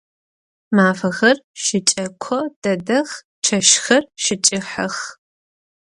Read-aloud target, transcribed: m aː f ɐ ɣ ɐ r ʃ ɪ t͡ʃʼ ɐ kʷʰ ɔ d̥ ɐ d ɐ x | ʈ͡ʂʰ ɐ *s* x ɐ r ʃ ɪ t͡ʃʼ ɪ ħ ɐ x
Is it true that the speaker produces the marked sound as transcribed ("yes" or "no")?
no